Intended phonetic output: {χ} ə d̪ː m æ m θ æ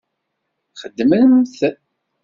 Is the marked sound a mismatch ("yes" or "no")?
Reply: no